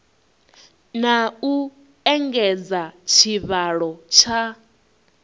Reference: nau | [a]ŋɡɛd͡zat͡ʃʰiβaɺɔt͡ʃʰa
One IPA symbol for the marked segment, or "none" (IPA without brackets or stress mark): ɛ